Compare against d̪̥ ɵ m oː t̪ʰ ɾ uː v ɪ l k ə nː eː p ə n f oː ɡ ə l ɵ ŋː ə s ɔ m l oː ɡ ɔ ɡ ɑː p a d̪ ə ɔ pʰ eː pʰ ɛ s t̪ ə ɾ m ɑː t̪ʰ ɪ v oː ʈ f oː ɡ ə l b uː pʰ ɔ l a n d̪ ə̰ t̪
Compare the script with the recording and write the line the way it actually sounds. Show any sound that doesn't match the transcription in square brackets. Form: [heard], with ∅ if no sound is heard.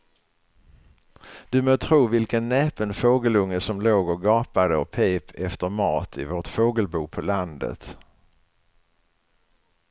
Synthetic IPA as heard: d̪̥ ɵ m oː t̪ʰ ɾ uː v ɪ l k ə nː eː p ə n f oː ɡ ə l ɵ ŋː ə s ɔ m l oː ɡ ɔ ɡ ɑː p a d̪ ə ɔ pʰ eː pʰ ɛ [f] t̪ ə ɾ m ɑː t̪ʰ ɪ v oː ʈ f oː ɡ ə l b uː pʰ ɔ l a n d̪ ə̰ t̪